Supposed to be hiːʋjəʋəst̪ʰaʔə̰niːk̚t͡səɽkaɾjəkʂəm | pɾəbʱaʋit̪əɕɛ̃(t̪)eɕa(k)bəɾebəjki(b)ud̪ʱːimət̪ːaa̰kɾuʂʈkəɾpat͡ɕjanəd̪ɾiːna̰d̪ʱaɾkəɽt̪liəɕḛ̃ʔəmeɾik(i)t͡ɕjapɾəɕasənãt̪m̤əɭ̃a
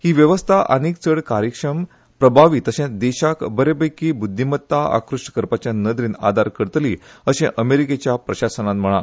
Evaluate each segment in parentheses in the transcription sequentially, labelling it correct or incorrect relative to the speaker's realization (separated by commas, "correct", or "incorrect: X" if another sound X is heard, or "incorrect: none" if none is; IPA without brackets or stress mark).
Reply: incorrect: d̪, correct, correct, incorrect: e